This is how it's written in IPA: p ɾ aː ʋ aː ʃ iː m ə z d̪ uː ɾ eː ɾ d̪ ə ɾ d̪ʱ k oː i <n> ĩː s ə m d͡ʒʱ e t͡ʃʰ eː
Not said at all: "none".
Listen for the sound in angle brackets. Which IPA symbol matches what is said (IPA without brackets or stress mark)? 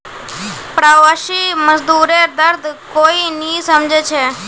n